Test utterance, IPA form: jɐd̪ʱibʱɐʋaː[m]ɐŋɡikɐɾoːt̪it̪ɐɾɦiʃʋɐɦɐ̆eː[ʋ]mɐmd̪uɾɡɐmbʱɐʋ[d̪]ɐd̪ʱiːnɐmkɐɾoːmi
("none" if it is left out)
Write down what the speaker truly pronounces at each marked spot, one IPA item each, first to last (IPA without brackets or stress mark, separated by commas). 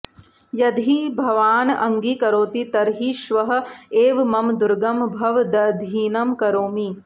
n, ʋ, d̪